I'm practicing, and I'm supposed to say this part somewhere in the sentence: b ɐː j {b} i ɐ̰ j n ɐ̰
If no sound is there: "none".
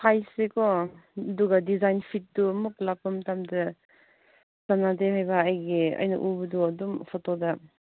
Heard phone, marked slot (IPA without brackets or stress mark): ɡ